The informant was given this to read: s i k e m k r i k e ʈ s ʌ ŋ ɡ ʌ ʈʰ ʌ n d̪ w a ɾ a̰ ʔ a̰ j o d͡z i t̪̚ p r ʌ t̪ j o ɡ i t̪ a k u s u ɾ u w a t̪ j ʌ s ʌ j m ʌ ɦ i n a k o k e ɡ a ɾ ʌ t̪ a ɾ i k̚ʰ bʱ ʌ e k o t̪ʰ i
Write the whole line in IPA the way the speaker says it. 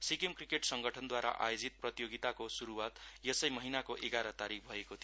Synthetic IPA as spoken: s i k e m k r i k e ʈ s ʌ ŋ ɡ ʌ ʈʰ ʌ n d̪ w a ɾ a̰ ʔ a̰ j o d͡z i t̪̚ p r ʌ t̪ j o ɡ i t̪ a k o s u ɾ u w a t̪ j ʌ s ʌ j m ʌ ɦ i n a k o ʔ e ɡ a ɾ ʌ t̪ a ɾ i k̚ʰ bʱ ʌ e k o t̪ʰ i